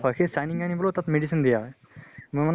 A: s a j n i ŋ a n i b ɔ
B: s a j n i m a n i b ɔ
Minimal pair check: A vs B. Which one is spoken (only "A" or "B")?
A